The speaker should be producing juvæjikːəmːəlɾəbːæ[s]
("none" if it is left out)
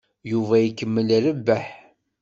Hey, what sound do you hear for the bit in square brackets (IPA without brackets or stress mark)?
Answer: ħ